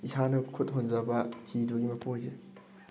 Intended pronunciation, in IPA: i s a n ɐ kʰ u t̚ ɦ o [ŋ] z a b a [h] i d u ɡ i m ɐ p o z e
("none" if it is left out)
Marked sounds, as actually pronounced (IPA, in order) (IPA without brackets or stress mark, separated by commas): n, h